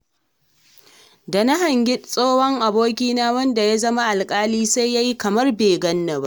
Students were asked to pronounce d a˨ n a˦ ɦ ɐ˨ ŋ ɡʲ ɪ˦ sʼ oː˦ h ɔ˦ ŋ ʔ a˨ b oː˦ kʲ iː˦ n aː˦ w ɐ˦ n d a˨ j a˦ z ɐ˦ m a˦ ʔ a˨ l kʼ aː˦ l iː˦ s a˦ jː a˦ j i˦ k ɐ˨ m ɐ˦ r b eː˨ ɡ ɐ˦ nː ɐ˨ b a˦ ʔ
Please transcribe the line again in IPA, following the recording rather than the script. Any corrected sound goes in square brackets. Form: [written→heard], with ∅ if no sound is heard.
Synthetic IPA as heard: d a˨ n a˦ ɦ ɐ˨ ŋ ɡʲ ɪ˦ sʼ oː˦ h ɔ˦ ŋ ʔ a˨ b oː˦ kʲ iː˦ n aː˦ w ɐ˦ n d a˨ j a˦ z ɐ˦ m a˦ ʔ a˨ l kʼ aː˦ l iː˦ s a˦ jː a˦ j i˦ k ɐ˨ m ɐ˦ r b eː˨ ɡ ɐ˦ nː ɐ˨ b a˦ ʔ